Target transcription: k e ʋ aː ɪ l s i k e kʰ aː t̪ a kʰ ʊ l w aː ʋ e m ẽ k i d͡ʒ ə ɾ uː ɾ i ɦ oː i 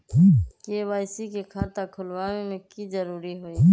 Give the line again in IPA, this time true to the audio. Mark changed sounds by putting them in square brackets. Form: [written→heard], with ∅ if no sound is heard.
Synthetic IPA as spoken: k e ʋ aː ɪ [l→∅] s i k e kʰ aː t̪ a kʰ ʊ l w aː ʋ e m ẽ k i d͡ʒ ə ɾ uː ɾ i ɦ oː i